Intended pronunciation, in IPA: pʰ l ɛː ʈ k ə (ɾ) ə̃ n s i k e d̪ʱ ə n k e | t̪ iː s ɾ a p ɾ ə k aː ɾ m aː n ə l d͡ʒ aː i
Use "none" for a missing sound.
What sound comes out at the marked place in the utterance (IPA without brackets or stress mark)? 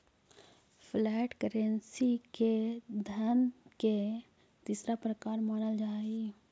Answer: ɾ